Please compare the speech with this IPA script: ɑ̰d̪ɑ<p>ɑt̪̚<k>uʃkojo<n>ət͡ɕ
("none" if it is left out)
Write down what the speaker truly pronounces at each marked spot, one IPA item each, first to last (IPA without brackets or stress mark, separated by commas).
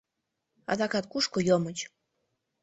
k, k, m